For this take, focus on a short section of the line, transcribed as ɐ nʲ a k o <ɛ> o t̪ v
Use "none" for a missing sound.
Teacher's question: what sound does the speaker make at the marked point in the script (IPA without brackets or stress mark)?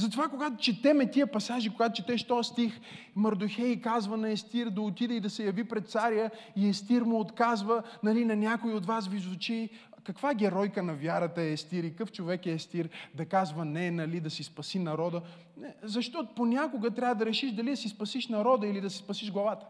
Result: i